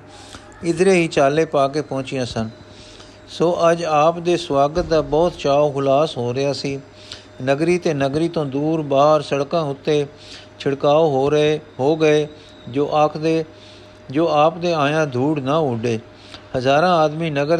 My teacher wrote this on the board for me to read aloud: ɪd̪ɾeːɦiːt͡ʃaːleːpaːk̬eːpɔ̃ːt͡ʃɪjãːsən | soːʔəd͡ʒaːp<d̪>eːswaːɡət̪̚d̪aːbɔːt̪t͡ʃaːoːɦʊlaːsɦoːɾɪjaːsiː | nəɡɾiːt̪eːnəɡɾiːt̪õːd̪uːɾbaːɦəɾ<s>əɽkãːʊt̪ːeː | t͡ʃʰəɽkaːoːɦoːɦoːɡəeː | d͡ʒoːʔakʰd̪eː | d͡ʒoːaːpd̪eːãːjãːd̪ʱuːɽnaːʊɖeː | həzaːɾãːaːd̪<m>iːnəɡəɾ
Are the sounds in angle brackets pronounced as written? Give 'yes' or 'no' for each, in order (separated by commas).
yes, yes, yes